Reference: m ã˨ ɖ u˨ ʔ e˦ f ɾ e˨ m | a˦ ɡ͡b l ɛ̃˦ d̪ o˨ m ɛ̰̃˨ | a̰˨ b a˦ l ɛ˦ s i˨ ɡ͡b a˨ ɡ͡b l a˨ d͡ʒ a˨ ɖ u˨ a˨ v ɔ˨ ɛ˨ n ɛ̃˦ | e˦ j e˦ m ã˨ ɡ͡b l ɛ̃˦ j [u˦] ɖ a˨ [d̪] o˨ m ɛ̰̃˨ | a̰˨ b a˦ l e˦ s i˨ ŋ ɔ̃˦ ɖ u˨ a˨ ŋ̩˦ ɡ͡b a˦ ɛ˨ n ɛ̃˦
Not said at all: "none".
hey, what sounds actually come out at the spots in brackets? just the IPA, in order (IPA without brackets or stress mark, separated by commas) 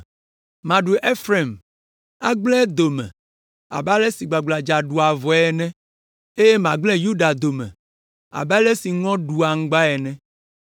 u˦, d̪